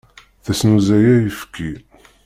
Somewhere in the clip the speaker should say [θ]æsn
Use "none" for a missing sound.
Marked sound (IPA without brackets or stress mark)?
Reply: θ